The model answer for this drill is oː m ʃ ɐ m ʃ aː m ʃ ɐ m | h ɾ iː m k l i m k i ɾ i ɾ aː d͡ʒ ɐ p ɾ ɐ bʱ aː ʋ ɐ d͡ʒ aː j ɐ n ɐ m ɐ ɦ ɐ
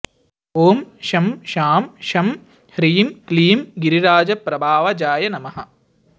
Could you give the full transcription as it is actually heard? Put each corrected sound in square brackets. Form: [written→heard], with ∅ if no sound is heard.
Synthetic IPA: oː m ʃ ɐ m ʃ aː m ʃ ɐ m | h ɾ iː m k l [i→iː] m [k→ɡ] i ɾ i ɾ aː d͡ʒ ɐ p ɾ ɐ bʱ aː ʋ ɐ d͡ʒ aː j ɐ n ɐ m ɐ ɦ ɐ